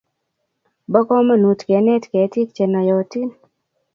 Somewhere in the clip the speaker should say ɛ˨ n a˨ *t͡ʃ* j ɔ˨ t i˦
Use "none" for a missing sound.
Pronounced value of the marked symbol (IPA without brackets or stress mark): none